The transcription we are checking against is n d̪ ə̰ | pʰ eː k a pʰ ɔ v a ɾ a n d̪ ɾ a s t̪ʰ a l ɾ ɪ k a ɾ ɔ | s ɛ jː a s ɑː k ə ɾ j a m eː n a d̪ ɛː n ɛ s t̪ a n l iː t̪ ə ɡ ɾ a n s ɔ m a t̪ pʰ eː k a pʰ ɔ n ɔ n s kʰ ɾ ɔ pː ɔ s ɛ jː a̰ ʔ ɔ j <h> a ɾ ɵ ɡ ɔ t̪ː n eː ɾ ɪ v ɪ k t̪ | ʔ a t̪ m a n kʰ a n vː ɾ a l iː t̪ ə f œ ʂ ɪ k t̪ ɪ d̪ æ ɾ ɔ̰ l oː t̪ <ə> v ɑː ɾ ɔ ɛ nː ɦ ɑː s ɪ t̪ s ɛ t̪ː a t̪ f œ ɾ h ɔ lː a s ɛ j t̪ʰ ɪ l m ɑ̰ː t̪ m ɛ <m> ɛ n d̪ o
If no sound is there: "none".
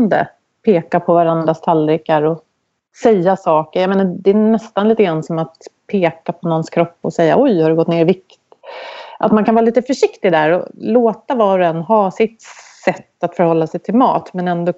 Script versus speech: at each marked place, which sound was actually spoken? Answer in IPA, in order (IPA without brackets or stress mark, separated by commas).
h, a, n